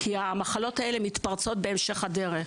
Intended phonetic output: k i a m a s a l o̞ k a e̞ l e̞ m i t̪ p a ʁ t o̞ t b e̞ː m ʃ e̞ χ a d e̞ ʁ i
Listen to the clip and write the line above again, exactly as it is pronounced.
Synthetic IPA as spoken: k i a m a χ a l o̞ t a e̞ l e̞ m i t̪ p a ʁ t͡s o̞ t b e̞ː m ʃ e̞ χ a d e̞ ʁ e